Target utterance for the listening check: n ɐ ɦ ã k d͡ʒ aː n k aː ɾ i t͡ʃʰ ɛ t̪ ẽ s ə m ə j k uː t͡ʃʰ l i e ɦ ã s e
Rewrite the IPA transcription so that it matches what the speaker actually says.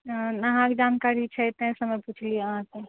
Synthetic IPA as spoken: n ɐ ɦ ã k d͡ʒ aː n k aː ɾ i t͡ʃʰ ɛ t̪ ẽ s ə m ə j p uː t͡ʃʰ l i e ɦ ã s e